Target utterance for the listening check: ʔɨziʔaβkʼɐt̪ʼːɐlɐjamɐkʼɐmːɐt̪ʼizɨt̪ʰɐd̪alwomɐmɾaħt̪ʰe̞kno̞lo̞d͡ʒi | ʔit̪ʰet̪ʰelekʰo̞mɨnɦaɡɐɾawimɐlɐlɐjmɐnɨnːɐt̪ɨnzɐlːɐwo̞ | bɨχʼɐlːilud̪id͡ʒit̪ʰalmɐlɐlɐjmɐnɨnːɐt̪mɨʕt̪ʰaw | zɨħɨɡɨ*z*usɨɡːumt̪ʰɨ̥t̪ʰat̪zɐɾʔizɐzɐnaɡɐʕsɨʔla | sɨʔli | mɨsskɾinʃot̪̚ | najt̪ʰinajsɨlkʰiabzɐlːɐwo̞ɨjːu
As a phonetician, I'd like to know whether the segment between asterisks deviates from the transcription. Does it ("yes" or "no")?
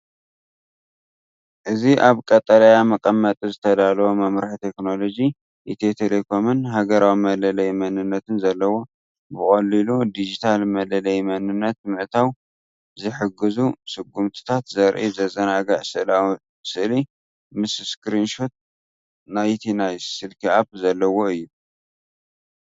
no